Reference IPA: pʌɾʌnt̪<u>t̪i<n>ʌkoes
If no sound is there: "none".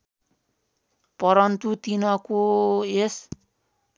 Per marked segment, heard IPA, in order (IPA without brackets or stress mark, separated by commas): u, n